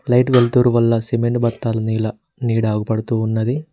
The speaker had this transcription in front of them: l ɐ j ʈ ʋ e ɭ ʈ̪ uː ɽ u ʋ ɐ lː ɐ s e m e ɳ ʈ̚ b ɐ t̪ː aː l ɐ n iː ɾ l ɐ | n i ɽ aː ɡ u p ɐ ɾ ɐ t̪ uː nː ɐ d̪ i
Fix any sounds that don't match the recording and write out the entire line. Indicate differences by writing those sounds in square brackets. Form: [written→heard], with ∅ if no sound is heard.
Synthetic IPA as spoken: l ɐ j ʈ ʋ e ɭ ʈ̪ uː [ɽ→ɾ] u ʋ ɐ lː ɐ s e m e ɳ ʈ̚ b ɐ t̪ː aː l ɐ n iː [ɾ→∅] l ɐ | n [i→iː] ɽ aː ɡ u p ɐ [ɾ→ɽ] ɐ t̪ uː nː ɐ d̪ i

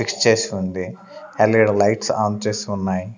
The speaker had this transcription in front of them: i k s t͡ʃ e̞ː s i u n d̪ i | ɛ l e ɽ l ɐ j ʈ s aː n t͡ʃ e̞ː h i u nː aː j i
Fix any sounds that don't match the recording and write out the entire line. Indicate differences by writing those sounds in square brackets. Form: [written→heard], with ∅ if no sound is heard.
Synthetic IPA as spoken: i k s t͡ʃ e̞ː s i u n d̪ i | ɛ l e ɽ l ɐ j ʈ s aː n t͡ʃ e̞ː [h→s] i u nː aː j i

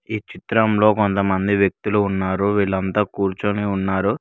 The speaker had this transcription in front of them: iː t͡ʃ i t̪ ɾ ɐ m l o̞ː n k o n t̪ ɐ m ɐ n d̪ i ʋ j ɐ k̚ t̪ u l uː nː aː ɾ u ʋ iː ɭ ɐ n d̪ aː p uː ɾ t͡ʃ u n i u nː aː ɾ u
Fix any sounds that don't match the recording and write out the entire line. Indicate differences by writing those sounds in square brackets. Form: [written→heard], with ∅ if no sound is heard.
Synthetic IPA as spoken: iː t͡ʃ i t̪ ɾ ɐ m l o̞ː [n→∅] k o n t̪ ɐ m ɐ n d̪ i ʋ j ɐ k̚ t̪ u l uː nː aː ɾ u ʋ iː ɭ ɐ n [d̪→t̪] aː [p→k] uː ɾ t͡ʃ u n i u nː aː ɾ u

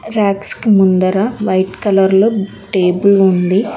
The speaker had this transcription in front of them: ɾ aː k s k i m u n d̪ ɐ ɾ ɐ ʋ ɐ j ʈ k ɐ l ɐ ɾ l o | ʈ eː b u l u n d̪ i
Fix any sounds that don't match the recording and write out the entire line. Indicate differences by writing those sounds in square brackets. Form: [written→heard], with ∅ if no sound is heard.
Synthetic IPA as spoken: ɾ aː k s k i m u n d̪ ɐ ɾ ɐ ʋ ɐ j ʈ k ɐ l ɐ ɾ l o | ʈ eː b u l u n d̪ i

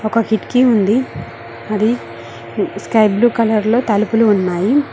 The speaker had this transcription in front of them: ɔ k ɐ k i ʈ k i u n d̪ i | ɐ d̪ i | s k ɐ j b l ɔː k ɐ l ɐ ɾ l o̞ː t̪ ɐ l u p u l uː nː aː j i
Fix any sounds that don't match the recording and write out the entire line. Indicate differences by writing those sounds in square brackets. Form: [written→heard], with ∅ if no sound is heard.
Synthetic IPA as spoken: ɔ k ɐ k i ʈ k i u n d̪ i | ɐ d̪ i | s k ɐ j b l [ɔː→uː] k ɐ l ɐ ɾ l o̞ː t̪ ɐ l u p u l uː nː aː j i

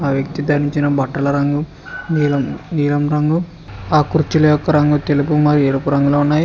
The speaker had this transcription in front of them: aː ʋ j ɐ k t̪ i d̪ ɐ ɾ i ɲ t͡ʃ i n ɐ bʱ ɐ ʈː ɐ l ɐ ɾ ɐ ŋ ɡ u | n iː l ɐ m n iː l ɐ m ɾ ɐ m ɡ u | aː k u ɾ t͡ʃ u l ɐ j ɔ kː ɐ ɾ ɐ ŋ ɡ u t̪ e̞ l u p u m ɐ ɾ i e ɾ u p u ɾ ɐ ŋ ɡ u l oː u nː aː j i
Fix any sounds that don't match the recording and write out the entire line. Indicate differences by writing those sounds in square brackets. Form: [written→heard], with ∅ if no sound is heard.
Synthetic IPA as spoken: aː ʋ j ɐ k t̪ i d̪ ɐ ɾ i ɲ t͡ʃ i n ɐ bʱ ɐ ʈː ɐ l ɐ ɾ ɐ ŋ ɡ u | n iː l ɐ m n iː l ɐ m ɾ ɐ [m→ŋ] ɡ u | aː k u ɾ t͡ʃ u l ɐ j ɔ kː ɐ ɾ ɐ ŋ ɡ u t̪ e̞ l u p u m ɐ ɾ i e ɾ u p u ɾ ɐ ŋ ɡ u l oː u nː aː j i

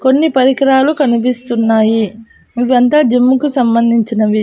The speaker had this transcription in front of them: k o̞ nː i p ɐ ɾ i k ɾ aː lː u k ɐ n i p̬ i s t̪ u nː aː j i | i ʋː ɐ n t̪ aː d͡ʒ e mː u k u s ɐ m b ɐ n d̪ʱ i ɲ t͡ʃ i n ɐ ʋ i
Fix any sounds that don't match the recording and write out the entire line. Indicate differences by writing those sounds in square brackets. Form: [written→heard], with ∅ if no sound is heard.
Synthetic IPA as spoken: k o̞ nː i p ɐ ɾ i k ɾ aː [lː→l] u k ɐ n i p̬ i s t̪ u nː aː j i | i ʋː ɐ n t̪ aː d͡ʒ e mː u k u s ɐ m b ɐ n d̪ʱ i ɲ t͡ʃ i n ɐ ʋ i

